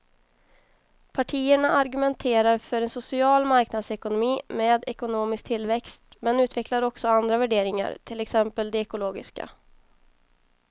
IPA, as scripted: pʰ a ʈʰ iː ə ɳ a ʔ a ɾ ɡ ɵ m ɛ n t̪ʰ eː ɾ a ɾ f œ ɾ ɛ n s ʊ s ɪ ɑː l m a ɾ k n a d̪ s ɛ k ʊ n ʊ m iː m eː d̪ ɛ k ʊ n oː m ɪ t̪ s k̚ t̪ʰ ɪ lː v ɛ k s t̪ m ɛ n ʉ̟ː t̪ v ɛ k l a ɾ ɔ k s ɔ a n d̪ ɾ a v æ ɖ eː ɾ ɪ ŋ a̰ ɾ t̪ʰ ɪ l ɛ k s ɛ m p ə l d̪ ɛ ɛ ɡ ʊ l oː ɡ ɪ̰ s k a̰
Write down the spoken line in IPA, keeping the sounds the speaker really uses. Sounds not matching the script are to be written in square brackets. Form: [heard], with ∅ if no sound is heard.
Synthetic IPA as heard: pʰ a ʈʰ iː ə ɳ a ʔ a ɾ ɡ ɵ m ɛ n t̪ʰ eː ɾ a ɾ f œ ɾ ɛ n s ʊ s ɪ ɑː l m a ɾ k n a d̪ s ɛ k ʊ n ʊ m iː m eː d̪ ɛ k ʊ n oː m ɪ [∅] s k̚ t̪ʰ ɪ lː v ɛ k s t̪ m ɛ n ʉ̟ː t̪ v ɛ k l a ɾ ɔ k s ɔ a n d̪ ɾ a v æ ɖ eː ɾ ɪ ŋ a̰ ɾ t̪ʰ ɪ l ɛ k s ɛ m p ə l d̪ ɛ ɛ [k] ʊ l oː ɡ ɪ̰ s k a̰